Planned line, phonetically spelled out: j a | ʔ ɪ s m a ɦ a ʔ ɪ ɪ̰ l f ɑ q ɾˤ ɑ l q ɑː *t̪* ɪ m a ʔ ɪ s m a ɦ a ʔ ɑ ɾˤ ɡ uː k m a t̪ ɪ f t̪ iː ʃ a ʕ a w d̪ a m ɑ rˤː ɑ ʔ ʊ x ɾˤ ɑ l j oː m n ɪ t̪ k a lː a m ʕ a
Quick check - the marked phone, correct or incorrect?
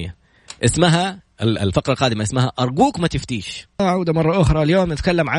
incorrect